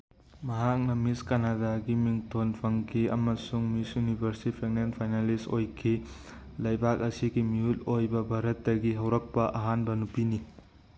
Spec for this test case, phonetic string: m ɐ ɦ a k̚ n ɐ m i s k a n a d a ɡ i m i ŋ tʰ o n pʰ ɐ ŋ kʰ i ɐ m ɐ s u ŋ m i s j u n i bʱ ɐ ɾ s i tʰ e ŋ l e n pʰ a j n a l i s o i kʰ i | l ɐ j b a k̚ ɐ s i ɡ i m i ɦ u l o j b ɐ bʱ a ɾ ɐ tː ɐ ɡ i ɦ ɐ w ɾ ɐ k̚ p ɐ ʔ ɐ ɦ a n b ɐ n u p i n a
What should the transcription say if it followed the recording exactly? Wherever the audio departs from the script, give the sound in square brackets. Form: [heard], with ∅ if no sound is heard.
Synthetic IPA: m ɐ ɦ a k̚ n ɐ m i s k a n a d a ɡ i m i ŋ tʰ o n pʰ ɐ ŋ kʰ i ɐ m ɐ s u ŋ m i s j u n i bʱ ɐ ɾ s i [pʰ] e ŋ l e n pʰ a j n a l i s o [j] kʰ i | l ɐ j b a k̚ ɐ s i ɡ i m i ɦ u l o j b ɐ bʱ a ɾ ɐ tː ɐ ɡ i ɦ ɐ w ɾ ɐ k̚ p ɐ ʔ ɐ ɦ a n b ɐ n u p i n [i]